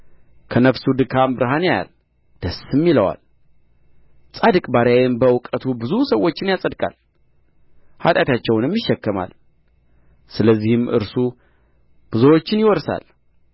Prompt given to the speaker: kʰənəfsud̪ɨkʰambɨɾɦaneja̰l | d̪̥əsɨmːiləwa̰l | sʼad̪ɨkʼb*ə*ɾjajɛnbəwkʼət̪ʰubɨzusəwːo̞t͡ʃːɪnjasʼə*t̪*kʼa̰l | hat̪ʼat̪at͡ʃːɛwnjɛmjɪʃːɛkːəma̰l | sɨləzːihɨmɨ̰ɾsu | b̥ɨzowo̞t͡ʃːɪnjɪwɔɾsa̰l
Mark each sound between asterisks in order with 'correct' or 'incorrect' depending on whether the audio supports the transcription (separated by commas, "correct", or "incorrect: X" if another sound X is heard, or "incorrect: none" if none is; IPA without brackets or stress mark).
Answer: incorrect: a, incorrect: d̪